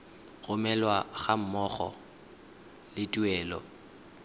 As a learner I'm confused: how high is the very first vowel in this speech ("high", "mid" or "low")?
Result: high